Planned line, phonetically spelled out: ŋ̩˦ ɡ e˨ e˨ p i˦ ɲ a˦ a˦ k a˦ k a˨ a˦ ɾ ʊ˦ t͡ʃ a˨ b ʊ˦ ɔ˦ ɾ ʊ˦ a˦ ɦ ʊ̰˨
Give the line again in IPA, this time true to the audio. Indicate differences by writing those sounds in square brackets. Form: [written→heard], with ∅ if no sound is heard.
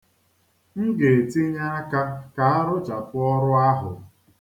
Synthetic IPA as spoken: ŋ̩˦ ɡ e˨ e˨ [p→t] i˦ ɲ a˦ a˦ k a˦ k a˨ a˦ ɾ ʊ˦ t͡ʃ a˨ [b→p] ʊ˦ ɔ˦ ɾ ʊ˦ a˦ ɦ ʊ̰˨